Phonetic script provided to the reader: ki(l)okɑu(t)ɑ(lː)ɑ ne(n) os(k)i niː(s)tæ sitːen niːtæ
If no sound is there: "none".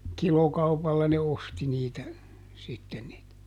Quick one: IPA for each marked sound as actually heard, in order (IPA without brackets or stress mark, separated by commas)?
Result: l, p, lː, none, t, none